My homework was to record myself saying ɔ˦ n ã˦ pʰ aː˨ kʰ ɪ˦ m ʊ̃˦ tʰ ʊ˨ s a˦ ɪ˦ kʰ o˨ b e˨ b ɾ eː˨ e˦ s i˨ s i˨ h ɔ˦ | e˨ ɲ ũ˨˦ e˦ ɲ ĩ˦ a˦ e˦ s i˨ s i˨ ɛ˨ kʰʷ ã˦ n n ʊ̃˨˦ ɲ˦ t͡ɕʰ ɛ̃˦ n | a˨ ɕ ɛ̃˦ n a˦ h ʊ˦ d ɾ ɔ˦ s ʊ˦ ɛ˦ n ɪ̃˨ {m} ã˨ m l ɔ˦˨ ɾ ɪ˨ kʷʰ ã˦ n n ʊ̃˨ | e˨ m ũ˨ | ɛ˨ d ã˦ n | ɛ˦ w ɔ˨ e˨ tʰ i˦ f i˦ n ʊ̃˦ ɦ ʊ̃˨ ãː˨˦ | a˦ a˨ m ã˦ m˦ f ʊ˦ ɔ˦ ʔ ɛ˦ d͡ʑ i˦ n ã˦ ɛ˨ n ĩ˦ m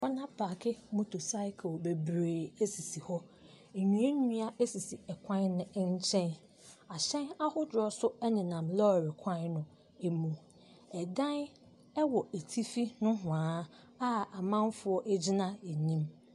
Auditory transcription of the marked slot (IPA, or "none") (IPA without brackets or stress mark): n